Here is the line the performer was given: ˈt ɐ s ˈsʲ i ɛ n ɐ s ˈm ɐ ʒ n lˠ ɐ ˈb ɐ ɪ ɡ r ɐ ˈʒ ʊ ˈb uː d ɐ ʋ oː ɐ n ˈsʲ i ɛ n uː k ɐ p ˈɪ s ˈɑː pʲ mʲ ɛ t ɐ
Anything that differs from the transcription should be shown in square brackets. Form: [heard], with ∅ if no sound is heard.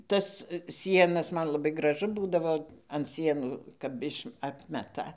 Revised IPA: ˈt ɐ s ˈsʲ i ɛ n ɐ s ˈm ɐ [∅] n lˠ ɐ ˈb ɐ ɪ ɡ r ɐ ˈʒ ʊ ˈb uː d ɐ ʋ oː ɐ n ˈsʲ i ɛ n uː k ɐ p ˈɪ [ʃ] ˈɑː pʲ mʲ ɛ t ɐ